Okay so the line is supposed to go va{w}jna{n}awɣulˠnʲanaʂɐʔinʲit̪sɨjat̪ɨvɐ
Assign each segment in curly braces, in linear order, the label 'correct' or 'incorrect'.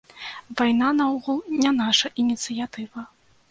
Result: incorrect: none, correct

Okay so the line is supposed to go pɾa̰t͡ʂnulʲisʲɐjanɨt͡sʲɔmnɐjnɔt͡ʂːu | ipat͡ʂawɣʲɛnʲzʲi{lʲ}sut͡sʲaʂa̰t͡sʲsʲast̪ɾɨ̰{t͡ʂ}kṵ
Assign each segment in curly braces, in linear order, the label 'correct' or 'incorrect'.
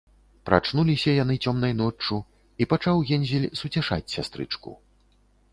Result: correct, correct

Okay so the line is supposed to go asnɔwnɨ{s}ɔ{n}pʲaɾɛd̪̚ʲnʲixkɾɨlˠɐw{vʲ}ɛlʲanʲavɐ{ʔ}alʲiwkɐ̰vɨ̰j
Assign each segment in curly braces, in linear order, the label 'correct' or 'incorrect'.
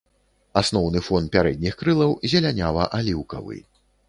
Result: incorrect: f, correct, incorrect: zʲ, correct

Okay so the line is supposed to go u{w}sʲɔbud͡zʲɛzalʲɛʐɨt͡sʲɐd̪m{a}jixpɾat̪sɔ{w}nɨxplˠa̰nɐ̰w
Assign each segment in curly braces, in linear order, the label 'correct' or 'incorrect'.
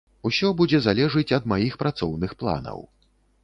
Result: incorrect: none, correct, correct

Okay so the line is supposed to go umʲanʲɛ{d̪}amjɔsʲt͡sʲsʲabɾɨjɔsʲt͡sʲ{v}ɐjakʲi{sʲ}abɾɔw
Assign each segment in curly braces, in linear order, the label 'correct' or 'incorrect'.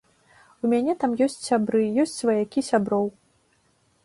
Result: incorrect: t̪, correct, correct

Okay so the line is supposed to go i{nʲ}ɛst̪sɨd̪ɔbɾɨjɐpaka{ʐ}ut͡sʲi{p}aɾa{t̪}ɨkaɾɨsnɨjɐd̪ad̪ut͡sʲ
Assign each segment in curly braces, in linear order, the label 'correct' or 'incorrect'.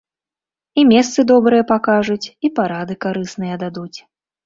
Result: incorrect: mʲ, correct, correct, incorrect: d̪

